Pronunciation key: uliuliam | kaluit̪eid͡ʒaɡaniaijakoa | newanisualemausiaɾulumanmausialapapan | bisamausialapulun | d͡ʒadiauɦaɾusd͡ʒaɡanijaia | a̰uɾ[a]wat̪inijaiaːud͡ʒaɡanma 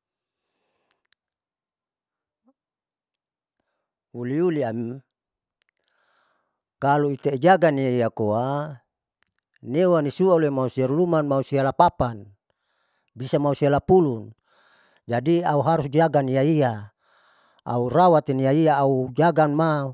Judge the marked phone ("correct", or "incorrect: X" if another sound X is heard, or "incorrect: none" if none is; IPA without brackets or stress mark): correct